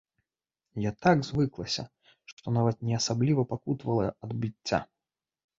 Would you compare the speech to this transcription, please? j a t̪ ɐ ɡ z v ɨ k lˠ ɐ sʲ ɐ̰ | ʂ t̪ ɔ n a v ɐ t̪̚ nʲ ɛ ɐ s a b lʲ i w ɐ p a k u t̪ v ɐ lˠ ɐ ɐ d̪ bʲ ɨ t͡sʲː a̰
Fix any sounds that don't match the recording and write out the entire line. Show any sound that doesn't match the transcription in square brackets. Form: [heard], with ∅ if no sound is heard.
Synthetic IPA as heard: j a t̪ [a] ɡ z v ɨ k lˠ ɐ sʲ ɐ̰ | ʂ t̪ ɔ n a v ɐ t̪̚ nʲ ɛ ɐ s a b lʲ i [v] ɐ p a k u t̪ v ɐ lˠ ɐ ɐ d̪ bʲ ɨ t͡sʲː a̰